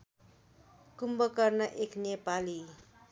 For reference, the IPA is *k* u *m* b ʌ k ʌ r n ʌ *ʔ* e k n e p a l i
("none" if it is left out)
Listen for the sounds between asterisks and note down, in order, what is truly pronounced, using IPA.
k, m, ʔ

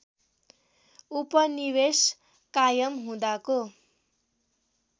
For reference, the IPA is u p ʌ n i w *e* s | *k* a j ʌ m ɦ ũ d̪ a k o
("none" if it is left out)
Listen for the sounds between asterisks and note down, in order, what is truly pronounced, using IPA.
e, k

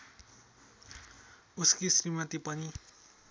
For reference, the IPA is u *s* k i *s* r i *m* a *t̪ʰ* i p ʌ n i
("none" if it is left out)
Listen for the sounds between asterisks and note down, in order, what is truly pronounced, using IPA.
s, s, m, t̪

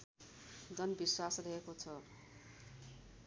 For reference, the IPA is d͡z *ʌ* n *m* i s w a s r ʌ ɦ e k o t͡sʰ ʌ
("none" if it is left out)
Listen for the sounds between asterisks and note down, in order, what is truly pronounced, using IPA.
ʌ, b

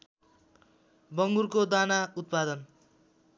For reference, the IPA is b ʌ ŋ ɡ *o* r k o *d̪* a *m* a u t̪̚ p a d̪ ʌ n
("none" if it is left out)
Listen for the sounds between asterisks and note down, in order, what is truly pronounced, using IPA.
u, d̪, n

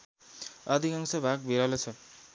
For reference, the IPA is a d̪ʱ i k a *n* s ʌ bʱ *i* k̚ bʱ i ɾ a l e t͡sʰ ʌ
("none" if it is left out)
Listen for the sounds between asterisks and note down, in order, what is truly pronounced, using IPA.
ŋ, a

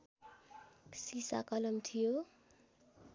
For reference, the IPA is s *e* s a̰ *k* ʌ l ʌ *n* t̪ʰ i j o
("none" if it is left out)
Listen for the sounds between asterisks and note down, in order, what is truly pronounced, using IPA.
i, k, m

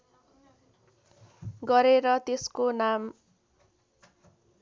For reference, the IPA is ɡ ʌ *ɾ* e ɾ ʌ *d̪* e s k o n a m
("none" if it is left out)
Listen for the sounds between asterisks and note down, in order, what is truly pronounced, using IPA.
ɾ, t̪

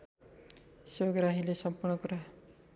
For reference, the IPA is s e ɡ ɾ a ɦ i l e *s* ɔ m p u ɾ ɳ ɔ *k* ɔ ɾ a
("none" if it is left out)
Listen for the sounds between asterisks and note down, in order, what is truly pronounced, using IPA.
s, k

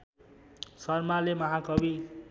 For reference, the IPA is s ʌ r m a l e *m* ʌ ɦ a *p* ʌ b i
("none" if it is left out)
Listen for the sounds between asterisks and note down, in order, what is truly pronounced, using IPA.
m, k

